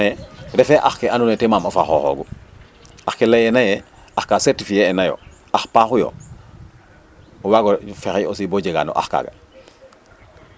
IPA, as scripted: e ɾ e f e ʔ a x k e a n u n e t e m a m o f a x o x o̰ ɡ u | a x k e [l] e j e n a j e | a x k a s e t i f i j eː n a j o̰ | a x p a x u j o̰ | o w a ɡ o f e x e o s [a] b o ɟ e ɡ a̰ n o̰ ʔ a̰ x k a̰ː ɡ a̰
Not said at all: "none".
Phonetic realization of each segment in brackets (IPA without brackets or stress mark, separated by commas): l, i